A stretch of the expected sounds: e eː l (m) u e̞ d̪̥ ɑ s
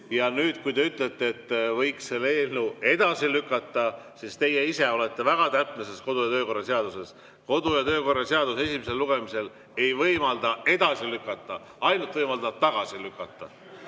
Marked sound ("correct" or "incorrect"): incorrect